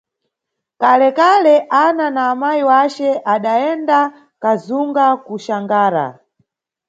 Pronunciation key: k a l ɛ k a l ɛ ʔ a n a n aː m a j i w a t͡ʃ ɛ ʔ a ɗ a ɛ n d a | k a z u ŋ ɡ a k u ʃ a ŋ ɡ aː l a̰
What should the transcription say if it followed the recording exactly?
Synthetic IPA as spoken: k a l ɛ k a l ɛ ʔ a n a n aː m a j i w a t͡ʃ ɛ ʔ a ɗ a ɛ n d a | k a z u ŋ ɡ a k u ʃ a ŋ ɡ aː ɾ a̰